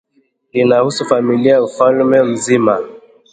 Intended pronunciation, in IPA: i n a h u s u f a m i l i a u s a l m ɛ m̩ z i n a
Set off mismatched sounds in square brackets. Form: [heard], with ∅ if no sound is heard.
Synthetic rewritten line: i n a h u s u f a m i l i a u [f] a l m ɛ m̩ z i [m] a